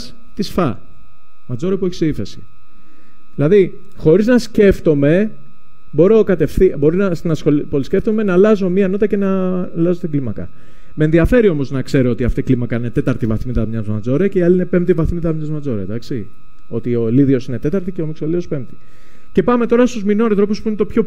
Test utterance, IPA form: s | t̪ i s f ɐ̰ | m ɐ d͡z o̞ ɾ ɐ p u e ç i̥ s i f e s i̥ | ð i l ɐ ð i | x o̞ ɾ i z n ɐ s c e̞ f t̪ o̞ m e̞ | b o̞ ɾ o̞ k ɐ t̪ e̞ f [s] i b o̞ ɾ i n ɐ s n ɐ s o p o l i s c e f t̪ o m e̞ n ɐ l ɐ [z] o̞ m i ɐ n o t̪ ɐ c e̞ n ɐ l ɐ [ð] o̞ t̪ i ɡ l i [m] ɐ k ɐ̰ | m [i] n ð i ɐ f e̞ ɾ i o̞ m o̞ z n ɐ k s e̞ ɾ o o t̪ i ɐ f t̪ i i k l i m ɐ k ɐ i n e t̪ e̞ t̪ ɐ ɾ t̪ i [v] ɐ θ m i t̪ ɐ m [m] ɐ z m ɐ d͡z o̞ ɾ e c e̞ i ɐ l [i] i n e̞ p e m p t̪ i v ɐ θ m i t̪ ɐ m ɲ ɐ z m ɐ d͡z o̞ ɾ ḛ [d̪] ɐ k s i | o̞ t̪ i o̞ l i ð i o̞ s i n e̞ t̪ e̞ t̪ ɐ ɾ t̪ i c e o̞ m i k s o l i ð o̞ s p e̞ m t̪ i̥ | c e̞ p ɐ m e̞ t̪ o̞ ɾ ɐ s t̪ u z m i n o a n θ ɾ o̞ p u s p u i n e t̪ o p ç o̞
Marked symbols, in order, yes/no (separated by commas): no, yes, no, yes, no, yes, no, yes, yes